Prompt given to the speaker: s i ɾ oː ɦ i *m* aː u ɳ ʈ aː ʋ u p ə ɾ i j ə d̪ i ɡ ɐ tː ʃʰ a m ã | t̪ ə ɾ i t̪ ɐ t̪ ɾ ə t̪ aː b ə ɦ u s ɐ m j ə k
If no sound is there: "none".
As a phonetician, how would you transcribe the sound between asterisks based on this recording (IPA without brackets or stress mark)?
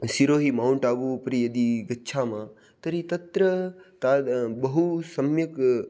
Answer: m